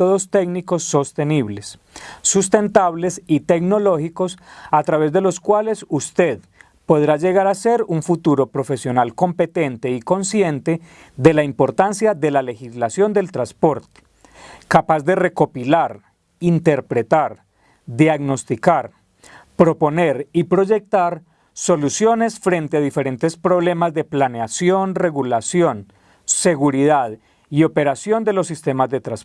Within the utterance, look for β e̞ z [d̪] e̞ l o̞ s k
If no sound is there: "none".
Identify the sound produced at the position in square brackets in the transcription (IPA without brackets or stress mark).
d̪